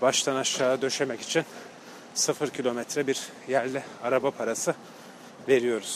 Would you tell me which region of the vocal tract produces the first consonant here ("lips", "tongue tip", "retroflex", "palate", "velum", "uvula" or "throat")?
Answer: lips